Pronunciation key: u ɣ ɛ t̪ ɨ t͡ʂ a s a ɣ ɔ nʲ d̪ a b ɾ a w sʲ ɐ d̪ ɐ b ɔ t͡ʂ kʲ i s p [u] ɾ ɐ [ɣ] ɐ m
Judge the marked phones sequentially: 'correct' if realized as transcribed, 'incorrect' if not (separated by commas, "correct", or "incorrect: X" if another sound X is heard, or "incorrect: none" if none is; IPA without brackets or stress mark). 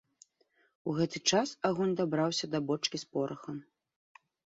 incorrect: ɔ, incorrect: x